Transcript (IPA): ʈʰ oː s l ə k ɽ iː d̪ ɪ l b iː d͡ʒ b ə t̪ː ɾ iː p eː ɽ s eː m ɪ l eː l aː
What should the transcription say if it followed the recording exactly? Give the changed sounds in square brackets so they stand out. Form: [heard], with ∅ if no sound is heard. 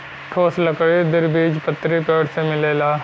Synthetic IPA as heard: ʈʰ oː s l ə k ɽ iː d̪ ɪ [ɾ] b iː d͡ʒ [p] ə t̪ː ɾ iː p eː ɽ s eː m ɪ l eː l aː